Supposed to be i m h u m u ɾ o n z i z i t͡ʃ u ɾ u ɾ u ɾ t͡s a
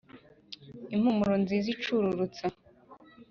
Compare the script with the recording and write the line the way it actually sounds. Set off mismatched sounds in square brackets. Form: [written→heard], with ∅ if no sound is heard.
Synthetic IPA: i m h u m u ɾ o n z i z i t͡ʃ u ɾ u ɾ u [ɾ→∅] t͡s a